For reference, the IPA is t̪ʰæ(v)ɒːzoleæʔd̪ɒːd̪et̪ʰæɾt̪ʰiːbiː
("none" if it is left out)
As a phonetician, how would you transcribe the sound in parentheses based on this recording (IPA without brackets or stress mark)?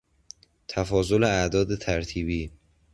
f